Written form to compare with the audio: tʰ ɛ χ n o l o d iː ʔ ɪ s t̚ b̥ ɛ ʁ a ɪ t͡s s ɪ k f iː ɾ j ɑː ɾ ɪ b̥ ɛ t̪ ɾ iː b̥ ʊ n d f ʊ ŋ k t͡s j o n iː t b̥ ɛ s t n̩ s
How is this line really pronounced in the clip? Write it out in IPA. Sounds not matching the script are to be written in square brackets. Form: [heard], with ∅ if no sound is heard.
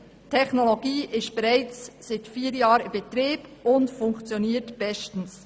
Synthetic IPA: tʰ ɛ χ n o l o [ɡ] iː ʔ ɪ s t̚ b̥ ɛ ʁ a ɪ t͡s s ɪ [t] f iː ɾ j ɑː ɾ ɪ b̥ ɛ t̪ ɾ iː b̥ ʊ n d f ʊ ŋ k t͡s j o n iː t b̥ ɛ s t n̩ s